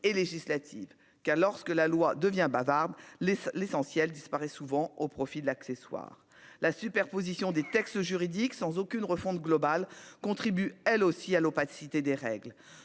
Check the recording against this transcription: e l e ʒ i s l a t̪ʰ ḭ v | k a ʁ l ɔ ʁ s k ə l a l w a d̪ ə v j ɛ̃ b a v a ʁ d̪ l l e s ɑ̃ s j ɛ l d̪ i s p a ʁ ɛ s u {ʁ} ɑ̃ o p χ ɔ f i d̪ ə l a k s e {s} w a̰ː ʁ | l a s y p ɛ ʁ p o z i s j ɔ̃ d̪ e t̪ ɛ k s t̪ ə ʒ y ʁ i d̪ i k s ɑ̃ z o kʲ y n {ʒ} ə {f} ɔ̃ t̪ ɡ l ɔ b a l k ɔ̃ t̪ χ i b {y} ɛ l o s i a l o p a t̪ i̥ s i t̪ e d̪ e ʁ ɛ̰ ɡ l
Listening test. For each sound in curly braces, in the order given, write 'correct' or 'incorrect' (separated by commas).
incorrect, correct, incorrect, correct, correct